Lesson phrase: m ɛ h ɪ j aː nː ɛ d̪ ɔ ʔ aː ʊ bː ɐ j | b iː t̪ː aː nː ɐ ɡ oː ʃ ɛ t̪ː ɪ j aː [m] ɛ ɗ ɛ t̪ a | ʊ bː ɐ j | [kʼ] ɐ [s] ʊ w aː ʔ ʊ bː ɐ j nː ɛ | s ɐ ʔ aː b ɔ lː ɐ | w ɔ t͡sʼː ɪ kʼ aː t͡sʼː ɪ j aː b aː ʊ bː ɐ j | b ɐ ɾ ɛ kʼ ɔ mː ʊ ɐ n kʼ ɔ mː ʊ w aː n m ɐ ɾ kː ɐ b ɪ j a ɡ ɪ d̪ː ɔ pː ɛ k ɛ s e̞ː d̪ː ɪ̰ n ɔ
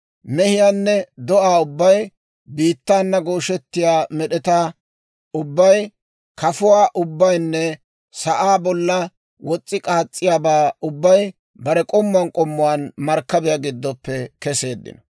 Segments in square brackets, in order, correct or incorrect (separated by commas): correct, incorrect, incorrect